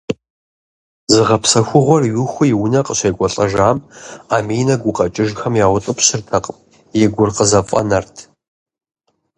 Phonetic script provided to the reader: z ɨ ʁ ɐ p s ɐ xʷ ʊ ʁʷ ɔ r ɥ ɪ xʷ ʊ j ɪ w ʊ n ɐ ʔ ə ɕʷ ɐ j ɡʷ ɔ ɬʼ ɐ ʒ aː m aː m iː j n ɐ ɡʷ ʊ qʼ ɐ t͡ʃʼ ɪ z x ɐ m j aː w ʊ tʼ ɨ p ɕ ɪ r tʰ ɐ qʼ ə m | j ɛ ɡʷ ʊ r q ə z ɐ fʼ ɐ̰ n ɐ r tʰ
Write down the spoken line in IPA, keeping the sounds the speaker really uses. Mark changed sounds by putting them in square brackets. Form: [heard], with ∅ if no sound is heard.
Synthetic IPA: z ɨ ʁ ɐ p s ɐ xʷ ʊ ʁʷ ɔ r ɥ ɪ xʷ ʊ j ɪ w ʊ n ɐ [q] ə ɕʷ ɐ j ɡʷ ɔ ɬʼ ɐ ʒ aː m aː m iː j n ɐ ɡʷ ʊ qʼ ɐ t͡ʃʼ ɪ [ʒ] x ɐ m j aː w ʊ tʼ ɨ p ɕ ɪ r tʰ ɐ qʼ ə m | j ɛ ɡʷ ʊ r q ə z ɐ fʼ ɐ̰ n ɐ r tʰ